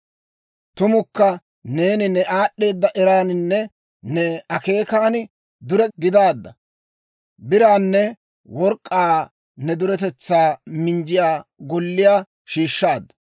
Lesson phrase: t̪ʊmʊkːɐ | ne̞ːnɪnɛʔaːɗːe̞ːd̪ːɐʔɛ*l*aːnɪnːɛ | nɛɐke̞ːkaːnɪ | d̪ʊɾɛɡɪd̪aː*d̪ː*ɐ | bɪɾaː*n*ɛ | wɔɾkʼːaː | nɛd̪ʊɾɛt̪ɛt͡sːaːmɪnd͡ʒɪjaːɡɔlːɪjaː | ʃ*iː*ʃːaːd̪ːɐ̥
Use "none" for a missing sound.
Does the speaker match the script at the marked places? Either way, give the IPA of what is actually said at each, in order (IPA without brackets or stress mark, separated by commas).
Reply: ɾ, d̪ː, nː, iː